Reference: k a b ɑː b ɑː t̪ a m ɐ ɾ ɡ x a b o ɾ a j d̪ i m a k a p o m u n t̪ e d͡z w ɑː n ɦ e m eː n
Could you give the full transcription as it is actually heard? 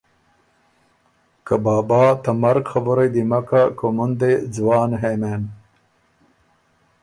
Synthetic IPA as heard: k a b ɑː b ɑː t̪ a m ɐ ɾ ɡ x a b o ɾ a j d̪ i m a k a k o m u n d̪ e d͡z w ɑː n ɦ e m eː n